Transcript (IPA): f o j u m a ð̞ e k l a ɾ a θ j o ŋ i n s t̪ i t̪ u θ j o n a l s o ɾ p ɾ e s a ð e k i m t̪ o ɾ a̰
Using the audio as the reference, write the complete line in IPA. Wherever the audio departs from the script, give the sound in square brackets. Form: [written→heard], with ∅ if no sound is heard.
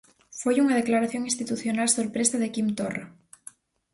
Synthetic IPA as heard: f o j u [m→ŋ] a ð̞ e k l a ɾ a θ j o ŋ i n s t̪ i t̪ u θ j o n a l s o ɾ p ɾ e s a ð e k i m t̪ o [ɾ→r] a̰